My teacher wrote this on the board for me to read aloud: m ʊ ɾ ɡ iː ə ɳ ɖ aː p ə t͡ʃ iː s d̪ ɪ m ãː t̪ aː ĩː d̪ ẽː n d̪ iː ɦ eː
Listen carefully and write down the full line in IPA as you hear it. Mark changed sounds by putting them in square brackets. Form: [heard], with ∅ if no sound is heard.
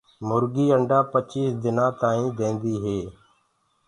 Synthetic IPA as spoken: m ʊ ɾ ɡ iː ə ɳ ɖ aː p ə t͡ʃ iː s d̪ ɪ [n] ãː t̪ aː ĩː d̪ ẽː n d̪ iː ɦ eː